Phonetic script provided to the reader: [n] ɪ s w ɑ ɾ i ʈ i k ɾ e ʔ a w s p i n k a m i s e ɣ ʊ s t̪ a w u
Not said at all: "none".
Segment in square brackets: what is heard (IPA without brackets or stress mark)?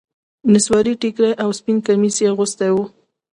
n